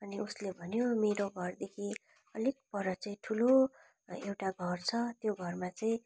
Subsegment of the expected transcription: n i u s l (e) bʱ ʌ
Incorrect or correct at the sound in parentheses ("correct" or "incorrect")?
correct